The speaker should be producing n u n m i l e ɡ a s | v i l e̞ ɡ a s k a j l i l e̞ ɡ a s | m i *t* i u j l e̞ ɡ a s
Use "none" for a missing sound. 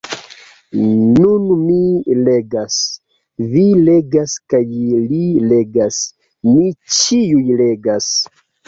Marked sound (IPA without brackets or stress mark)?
t͡ʃ